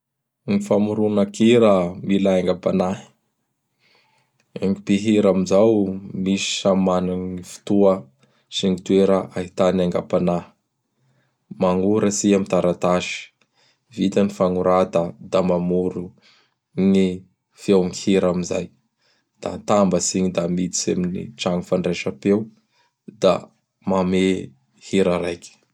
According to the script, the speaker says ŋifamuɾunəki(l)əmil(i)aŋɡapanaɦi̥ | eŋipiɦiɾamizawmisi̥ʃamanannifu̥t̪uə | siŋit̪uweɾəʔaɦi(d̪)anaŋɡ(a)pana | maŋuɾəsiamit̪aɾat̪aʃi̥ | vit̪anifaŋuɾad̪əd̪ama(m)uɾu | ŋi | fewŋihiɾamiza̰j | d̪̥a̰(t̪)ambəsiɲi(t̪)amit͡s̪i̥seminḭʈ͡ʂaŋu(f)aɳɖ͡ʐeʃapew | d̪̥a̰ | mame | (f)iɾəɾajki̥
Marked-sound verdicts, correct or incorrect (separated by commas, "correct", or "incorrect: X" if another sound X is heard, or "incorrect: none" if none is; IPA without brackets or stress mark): incorrect: ɾ, incorrect: a, incorrect: t̪, correct, correct, correct, incorrect: d̪, correct, incorrect: h